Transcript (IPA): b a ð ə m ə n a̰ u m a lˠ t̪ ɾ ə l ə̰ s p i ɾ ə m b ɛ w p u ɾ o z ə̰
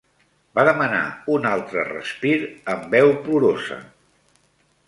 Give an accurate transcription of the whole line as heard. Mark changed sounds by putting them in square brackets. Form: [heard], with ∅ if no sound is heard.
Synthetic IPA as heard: b a ð ə m ə n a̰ u [n] a lˠ t̪ ɾ ə [r] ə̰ s p i ɾ ə m b ɛ w p u ɾ o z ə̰

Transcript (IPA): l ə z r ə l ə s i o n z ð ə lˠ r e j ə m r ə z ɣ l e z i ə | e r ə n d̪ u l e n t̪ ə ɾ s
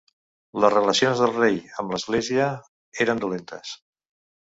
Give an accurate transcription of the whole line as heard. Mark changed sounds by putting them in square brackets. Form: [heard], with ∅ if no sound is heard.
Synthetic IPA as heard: l ə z r ə l ə s i o n z ð ə lˠ r e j ə m [l] ə z ɣ l e z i ə | e [ɾ] ə n d̪ u l e n t̪ ə [∅] s

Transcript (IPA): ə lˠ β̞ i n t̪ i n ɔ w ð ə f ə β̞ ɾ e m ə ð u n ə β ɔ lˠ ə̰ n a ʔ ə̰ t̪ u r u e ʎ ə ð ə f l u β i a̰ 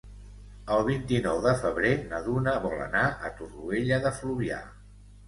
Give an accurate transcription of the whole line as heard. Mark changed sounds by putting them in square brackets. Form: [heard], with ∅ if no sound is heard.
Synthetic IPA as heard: ə lˠ β̞ i n t̪ i n ɔ w ð ə f ə β̞ ɾ e [n] ə ð u n ə β ɔ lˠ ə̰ n a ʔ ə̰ t̪ u r u e ʎ ə ð ə f l u β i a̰

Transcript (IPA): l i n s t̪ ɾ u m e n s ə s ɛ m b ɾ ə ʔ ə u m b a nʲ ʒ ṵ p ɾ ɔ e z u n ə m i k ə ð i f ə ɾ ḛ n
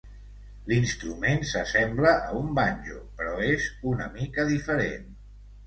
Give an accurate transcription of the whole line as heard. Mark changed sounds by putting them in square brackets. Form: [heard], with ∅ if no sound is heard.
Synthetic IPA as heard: l i n s t̪ ɾ u m e n s ə s ɛ m b [l] ə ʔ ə u m b a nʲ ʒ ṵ p ɾ ɔ e z u n ə m i k ə ð i f ə ɾ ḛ n

